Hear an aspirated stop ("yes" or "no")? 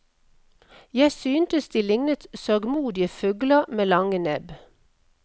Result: no